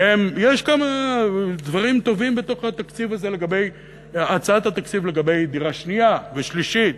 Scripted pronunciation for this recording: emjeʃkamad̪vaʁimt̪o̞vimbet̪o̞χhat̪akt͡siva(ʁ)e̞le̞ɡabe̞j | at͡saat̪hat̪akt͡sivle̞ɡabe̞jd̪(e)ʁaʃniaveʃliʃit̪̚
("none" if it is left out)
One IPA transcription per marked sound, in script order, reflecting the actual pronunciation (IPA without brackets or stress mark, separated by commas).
z, i